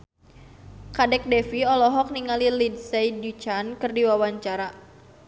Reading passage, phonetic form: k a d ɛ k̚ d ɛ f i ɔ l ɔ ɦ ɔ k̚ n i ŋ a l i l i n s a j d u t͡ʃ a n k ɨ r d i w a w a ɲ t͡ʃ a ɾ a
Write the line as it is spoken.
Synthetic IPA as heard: k a d ɛ k̚ d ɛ f i ɔ l ɔ ɦ ɔ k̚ n i ŋ a l i l i d s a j d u t͡ʃ a n k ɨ r d i w a w a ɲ t͡ʃ a ɾ a